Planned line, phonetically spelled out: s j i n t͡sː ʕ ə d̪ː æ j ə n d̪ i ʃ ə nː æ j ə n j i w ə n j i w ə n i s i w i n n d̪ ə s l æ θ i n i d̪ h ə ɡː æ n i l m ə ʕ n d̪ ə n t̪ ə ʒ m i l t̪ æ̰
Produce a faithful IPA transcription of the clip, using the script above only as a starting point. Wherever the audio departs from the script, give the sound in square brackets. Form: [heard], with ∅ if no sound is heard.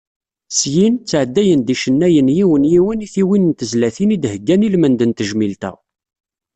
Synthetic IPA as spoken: s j i n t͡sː ʕ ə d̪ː æ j ə n d̪ i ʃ ə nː æ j ə n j i w ə n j i w ə n i [θ] i w i n n [t̪] ə [z] l æ θ i n i d̪ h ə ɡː æ n i l m ə [∅] n d̪ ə n t̪ ə ʒ m i l t̪ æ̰

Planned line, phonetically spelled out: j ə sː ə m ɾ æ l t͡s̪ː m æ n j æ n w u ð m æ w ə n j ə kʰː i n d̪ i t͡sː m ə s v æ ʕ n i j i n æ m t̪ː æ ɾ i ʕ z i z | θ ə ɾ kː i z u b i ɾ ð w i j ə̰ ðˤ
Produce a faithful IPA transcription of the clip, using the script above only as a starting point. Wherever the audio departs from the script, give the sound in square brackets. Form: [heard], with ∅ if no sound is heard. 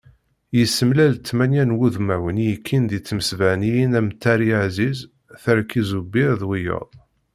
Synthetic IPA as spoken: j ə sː ə m [l] æ l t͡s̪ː m æ n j æ n w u ð m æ w ə n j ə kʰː i n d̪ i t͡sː m ə s v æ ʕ n i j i n æ m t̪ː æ ɾ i ʕ z i z | θ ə ɾ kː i z u b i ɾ ð w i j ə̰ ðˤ

